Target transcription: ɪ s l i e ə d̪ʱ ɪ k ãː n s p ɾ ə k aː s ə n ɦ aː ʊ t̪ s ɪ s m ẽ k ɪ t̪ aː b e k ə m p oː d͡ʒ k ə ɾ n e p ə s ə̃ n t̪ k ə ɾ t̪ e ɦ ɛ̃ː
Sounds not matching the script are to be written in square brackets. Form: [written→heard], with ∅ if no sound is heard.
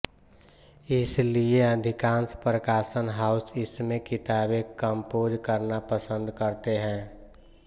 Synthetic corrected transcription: ɪ s l i e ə d̪ʱ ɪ k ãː n s p ɾ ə k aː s ə n ɦ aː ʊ [t̪→∅] s ɪ s m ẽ k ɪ t̪ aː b e k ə m p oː d͡ʒ k ə ɾ n [e→a] p ə s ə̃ n [t̪→d̪] k ə ɾ t̪ e ɦ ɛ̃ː